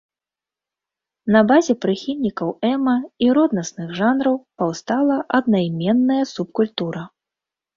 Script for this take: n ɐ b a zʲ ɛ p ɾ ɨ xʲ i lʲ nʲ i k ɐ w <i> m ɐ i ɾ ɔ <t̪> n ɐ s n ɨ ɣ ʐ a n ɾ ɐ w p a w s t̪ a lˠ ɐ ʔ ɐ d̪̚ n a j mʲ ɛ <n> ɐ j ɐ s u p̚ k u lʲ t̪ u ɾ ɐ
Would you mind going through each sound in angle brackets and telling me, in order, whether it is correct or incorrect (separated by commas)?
incorrect, incorrect, incorrect